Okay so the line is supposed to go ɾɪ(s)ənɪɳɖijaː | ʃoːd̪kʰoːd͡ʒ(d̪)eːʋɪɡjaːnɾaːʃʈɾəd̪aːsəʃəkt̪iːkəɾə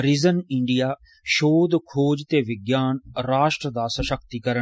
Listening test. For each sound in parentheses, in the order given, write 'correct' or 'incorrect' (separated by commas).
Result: incorrect, incorrect